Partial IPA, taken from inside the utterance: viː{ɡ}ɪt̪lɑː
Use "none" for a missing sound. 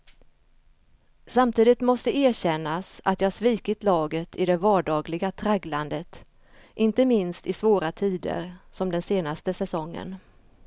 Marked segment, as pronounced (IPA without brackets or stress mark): k